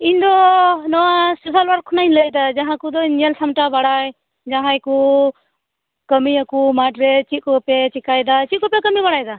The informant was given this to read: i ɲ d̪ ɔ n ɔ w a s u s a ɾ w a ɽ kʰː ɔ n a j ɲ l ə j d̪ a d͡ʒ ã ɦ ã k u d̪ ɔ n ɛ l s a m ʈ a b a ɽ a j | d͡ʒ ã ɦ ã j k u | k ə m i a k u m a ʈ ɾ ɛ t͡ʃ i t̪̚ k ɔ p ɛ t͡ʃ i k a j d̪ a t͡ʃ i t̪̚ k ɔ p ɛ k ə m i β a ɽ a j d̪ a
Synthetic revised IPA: i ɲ d̪ ɔ n ɔ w a s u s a l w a ɾ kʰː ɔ n a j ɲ l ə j d̪ a d͡ʒ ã ɦ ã k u d̪ ɔ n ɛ l s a m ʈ a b a ɽ a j | d͡ʒ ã ɦ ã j k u | k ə m i a k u m a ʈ ɾ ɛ t͡ʃ i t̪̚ k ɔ p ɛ t͡ʃ i k a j d̪ a t͡ʃ i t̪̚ k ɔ p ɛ k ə m i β a ɽ a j d̪ a